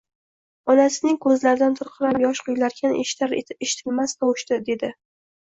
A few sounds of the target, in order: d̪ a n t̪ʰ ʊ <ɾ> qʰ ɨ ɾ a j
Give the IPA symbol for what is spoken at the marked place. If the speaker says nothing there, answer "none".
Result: ɾ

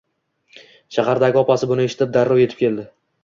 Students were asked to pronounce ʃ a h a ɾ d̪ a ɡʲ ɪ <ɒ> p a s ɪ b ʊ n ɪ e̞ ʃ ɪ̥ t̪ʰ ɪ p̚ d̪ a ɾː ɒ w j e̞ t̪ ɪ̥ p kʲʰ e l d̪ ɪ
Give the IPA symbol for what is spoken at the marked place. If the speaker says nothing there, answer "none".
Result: ɒ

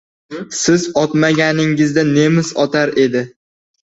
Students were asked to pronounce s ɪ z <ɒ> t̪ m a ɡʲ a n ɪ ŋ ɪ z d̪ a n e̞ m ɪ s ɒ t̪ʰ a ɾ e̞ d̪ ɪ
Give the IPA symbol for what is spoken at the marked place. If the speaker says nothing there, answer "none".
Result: ɒ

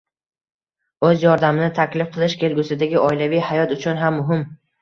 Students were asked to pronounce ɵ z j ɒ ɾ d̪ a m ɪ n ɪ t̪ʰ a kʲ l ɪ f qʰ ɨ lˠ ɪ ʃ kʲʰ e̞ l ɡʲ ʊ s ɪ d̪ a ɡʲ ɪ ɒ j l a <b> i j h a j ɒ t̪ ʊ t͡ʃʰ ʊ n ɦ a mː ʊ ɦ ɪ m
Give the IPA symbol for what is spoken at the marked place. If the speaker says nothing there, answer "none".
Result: v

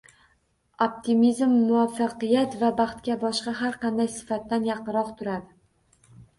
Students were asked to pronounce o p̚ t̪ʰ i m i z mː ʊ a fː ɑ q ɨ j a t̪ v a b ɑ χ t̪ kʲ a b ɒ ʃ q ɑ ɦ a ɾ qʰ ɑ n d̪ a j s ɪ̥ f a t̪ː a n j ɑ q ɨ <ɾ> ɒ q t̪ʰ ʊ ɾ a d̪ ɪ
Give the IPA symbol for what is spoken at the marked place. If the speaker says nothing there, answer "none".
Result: ɾ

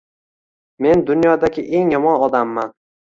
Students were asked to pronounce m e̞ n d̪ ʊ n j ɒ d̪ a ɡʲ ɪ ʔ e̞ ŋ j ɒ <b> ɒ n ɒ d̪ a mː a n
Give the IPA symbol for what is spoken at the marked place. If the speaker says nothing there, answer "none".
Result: m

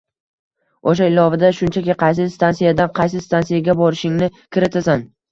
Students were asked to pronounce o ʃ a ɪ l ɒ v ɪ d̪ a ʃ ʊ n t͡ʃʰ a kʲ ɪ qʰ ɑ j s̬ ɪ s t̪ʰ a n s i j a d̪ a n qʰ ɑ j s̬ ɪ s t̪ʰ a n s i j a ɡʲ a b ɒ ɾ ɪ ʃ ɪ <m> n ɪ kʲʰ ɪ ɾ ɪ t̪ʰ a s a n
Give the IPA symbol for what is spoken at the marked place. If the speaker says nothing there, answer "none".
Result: ŋ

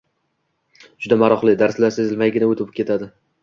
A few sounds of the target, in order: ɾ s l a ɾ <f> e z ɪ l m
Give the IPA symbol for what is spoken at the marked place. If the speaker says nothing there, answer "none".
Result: s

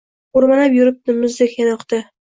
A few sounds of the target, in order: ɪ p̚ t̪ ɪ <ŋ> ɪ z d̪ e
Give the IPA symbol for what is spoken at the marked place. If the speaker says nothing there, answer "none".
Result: m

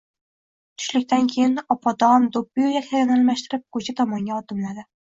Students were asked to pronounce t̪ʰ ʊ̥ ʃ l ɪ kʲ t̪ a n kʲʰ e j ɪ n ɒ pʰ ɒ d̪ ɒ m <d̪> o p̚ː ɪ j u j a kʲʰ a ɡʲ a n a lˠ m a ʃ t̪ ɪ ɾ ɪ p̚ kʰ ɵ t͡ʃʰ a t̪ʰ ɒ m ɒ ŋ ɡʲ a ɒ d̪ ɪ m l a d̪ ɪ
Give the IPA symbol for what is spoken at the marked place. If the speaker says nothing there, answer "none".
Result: d̪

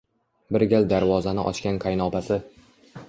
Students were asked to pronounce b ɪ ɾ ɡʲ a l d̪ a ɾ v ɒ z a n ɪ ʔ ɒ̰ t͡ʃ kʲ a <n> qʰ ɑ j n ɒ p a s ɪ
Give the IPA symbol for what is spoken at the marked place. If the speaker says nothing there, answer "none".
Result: n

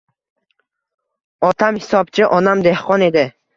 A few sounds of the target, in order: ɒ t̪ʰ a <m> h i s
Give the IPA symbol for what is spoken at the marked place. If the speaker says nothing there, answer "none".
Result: m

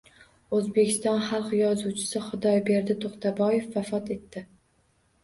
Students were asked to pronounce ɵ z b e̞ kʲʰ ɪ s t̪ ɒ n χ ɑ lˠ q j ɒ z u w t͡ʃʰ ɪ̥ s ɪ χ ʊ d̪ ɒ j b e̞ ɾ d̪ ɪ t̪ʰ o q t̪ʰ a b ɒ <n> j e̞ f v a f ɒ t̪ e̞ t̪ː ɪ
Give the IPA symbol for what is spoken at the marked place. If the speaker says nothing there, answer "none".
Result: none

